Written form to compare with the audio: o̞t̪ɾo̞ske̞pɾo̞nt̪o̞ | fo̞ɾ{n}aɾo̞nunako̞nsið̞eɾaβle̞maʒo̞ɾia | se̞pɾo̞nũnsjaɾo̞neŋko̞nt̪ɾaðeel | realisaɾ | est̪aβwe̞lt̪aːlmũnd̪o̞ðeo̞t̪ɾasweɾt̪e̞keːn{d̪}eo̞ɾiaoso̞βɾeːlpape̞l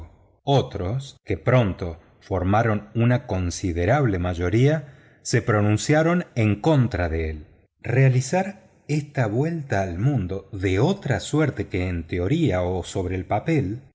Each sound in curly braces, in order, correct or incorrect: incorrect: m, incorrect: t̪

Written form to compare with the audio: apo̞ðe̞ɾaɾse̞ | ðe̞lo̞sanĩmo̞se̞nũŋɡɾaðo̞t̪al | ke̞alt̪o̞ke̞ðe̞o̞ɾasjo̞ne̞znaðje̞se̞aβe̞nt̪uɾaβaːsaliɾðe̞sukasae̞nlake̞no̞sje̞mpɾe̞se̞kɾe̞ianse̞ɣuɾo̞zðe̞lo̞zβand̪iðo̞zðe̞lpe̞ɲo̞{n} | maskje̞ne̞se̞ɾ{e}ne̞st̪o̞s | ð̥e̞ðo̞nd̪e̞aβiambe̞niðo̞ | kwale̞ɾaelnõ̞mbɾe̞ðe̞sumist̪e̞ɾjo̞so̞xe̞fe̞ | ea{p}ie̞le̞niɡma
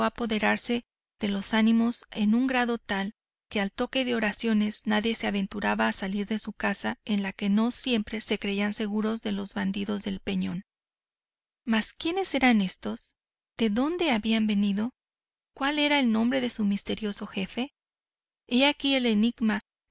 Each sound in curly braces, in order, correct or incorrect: correct, incorrect: a, incorrect: k

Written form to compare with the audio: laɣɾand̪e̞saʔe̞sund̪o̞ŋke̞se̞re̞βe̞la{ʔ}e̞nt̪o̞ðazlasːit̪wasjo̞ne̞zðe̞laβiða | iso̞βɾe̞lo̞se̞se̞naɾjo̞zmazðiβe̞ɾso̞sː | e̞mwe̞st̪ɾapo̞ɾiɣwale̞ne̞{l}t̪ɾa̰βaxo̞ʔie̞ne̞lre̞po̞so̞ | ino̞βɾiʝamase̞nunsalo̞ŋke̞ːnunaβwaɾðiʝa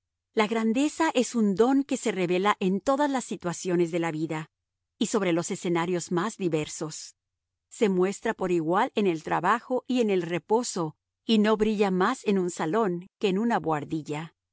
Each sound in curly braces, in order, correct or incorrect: correct, correct

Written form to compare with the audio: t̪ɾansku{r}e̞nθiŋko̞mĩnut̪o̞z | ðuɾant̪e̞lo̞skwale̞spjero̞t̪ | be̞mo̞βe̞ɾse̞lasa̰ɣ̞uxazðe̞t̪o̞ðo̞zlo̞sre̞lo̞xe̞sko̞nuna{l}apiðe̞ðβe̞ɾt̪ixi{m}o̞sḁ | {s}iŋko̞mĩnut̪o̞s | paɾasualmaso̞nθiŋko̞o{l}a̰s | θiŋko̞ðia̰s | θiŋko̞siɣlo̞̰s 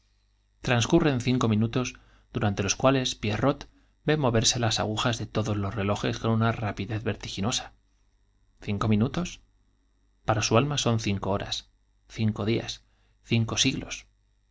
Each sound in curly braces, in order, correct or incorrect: correct, incorrect: r, incorrect: n, incorrect: θ, incorrect: ɾ

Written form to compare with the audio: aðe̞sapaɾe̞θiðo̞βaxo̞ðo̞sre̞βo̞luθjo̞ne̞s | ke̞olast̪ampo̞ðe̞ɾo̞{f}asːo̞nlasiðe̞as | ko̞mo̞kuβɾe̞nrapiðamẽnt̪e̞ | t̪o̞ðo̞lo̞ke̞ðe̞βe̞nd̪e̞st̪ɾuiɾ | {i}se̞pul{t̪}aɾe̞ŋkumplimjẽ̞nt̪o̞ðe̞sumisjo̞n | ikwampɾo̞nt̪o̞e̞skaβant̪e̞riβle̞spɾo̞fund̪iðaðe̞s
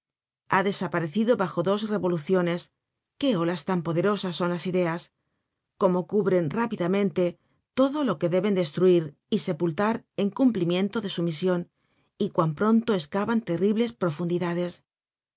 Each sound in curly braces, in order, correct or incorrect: incorrect: s, correct, correct

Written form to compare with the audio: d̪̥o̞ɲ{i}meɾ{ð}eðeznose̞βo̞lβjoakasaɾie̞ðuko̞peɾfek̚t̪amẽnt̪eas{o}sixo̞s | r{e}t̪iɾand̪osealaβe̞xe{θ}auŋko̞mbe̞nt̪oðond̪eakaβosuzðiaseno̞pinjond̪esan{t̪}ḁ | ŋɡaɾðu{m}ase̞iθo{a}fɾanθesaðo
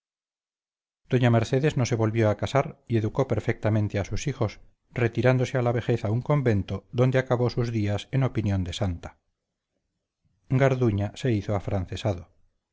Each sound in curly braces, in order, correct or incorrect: incorrect: a, incorrect: θ, incorrect: u, correct, correct, correct, incorrect: ɲ, correct

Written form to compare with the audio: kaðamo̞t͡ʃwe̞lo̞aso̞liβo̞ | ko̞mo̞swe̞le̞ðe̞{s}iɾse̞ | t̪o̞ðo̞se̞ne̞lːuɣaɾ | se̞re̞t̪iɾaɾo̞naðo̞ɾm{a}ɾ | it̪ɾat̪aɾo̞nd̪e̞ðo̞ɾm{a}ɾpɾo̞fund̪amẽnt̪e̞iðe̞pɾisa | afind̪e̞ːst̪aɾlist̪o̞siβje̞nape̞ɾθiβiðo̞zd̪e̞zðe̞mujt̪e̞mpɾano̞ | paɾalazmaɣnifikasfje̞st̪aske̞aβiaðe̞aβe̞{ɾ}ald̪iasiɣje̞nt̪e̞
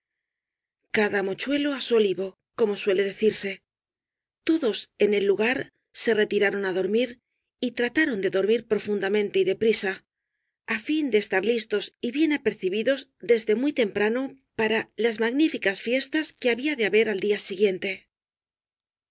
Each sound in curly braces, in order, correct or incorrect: incorrect: θ, incorrect: i, incorrect: i, correct

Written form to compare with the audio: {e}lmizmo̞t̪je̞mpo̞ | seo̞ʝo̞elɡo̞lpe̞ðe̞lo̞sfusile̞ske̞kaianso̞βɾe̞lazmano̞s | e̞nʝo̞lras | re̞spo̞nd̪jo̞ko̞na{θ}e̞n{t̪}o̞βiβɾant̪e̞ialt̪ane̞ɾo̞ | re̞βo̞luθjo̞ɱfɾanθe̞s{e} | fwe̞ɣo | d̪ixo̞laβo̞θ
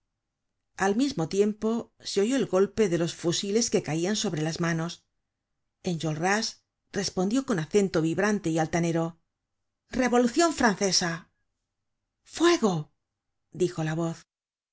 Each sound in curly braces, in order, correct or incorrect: incorrect: a, correct, correct, incorrect: a

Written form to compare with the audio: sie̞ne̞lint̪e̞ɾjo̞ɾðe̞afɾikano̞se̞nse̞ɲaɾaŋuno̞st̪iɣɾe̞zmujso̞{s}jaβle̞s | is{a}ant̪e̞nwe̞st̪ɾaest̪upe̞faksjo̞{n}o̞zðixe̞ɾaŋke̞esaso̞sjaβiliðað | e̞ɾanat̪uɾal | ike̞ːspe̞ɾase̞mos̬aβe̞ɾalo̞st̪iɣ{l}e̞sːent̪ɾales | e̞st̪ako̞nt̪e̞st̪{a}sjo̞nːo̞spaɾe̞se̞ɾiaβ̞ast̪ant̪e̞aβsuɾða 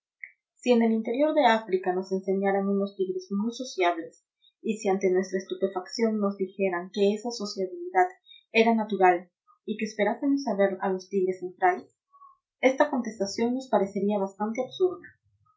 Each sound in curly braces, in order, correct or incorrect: correct, incorrect: i, incorrect: nː, incorrect: ɾ, correct

